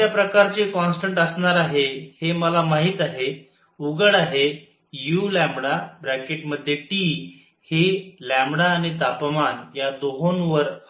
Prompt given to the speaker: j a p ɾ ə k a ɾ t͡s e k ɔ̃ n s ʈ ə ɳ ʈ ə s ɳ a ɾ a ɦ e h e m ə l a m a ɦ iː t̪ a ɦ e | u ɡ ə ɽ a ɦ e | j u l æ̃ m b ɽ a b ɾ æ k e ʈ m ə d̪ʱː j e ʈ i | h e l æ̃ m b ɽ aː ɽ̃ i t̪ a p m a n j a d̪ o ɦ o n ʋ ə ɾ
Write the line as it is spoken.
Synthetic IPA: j a p ɾ ə k a ɾ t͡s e k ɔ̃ n s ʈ ə ɳ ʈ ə s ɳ a ɾ a ɦ e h e m ə l a m a ɦ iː t̪ a ɦ e | u ɡ ə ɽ a ɦ e | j u l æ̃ m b ɽ a b ɾ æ k e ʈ m ə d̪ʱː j e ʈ i | h e l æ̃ m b ɽ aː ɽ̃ i t̪ a p m a n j a d̪ o ɦ o n ʋ ə ɾ